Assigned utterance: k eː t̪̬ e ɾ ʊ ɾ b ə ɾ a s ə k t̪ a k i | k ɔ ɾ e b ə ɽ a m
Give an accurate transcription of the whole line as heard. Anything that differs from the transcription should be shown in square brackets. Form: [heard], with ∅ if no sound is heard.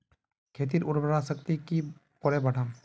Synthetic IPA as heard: [kʰ] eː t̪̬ [i] ɾ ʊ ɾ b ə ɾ a s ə k t̪ [i] k i | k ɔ ɾ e b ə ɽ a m